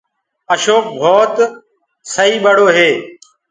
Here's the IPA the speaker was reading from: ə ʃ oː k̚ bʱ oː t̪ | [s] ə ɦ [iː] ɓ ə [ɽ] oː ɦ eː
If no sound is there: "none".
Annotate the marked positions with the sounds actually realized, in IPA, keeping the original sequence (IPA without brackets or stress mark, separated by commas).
s, iː, ɽ